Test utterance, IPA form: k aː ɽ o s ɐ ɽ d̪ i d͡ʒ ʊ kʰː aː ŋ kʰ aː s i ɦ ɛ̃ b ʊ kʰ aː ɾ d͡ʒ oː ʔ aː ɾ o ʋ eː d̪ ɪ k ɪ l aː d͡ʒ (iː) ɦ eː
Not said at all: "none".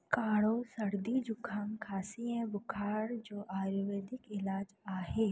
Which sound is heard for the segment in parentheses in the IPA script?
aː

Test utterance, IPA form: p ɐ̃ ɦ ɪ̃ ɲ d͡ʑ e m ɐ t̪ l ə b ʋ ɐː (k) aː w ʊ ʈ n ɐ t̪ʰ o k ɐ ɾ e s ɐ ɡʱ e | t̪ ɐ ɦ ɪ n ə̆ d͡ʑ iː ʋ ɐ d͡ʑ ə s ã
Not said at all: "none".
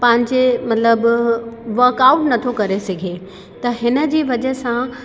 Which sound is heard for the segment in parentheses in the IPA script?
k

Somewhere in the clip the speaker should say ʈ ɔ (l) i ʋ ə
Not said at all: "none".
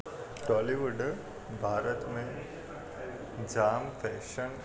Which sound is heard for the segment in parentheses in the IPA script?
l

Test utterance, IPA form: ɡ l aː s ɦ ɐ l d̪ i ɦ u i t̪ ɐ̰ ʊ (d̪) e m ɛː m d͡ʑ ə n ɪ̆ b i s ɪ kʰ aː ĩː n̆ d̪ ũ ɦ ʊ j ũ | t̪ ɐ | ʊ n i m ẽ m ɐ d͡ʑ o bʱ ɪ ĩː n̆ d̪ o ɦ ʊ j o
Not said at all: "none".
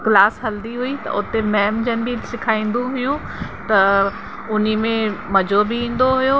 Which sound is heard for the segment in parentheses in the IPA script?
t̪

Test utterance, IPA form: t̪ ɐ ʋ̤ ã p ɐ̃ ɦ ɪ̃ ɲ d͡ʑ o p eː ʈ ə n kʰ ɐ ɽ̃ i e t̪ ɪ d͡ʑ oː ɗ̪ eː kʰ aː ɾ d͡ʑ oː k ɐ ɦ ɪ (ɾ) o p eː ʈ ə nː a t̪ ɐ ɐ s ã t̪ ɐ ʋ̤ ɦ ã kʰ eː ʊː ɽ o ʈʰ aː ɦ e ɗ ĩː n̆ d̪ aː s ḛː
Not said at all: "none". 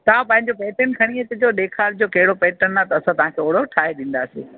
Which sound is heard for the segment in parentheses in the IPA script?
ɽ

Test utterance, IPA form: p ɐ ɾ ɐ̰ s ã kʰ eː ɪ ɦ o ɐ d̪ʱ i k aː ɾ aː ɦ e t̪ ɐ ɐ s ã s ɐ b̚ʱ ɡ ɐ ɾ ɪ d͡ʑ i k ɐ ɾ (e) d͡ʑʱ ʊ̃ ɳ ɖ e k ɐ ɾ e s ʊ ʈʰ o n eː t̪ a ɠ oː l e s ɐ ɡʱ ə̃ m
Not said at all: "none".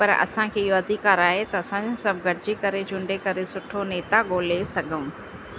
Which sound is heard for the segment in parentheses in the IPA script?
e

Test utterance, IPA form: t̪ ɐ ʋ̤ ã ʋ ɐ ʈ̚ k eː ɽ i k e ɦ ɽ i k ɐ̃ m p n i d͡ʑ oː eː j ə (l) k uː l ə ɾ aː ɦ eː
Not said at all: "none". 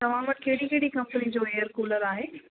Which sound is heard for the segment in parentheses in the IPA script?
ɾ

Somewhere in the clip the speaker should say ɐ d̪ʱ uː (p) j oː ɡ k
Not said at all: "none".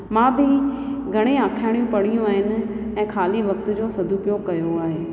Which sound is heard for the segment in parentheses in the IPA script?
p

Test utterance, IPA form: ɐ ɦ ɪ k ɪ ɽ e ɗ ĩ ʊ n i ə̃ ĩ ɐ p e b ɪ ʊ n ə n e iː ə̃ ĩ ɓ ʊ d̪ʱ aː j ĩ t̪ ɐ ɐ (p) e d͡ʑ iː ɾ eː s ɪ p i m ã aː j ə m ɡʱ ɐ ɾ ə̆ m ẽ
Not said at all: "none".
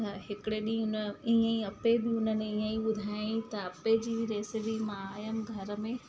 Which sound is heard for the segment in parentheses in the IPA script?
p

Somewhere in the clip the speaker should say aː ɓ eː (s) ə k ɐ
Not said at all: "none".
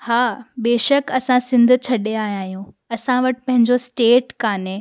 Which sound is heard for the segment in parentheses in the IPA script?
ʃ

